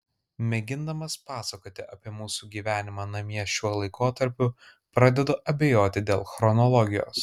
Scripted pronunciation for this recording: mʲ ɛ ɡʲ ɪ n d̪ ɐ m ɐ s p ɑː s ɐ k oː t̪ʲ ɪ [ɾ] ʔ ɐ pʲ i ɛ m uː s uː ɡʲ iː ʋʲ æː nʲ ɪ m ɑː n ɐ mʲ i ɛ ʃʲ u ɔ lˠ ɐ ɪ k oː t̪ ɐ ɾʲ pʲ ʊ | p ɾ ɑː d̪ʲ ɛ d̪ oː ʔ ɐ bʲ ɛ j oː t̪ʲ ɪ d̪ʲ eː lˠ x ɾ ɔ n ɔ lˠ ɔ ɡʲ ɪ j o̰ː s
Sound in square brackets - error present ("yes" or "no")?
yes